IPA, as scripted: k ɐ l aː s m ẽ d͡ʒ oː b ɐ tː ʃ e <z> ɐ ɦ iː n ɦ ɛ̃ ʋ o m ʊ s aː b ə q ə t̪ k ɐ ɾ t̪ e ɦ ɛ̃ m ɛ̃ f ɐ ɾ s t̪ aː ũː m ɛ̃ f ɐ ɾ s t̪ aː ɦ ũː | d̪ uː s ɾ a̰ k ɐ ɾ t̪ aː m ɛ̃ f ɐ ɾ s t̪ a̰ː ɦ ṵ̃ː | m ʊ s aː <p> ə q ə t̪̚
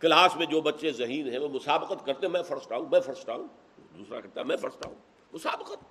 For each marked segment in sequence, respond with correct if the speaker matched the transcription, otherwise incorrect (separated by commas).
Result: correct, incorrect